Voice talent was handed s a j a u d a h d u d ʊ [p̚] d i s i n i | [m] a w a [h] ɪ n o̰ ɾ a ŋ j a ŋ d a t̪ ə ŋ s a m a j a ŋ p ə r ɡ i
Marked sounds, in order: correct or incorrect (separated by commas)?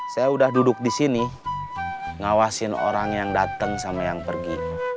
incorrect, incorrect, incorrect